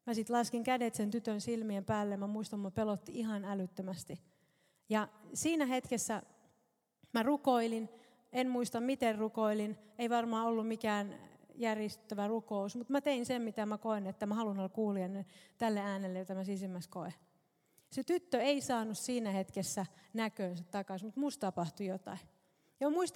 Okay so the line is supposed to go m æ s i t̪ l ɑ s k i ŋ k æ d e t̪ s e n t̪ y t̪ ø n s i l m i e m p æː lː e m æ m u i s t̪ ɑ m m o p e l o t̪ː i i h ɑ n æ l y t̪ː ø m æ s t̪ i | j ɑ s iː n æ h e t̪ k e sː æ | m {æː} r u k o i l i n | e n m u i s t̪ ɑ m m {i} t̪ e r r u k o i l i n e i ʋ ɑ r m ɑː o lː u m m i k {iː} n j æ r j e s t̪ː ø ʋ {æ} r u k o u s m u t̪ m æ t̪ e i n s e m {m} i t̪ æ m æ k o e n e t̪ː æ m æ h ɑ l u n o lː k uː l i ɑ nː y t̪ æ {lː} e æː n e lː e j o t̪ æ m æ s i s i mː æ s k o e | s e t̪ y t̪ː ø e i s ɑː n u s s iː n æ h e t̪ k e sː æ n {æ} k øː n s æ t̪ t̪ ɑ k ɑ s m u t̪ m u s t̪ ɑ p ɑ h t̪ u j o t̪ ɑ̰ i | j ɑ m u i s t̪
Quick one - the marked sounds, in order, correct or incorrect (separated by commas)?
incorrect, correct, incorrect, correct, correct, correct, correct